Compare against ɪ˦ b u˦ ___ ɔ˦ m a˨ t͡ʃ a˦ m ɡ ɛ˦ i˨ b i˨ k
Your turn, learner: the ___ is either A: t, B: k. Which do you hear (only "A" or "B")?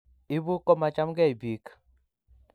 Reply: B